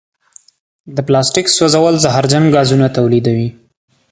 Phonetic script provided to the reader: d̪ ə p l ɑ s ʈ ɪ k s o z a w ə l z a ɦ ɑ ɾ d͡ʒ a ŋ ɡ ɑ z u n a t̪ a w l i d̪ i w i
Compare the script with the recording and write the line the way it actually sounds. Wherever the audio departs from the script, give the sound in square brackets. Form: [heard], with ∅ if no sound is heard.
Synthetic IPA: d̪ ə p l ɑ s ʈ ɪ k s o z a w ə l z a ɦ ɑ ɾ d͡ʒ a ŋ ɡ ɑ z u n a t̪ a w l i d̪ [a] w i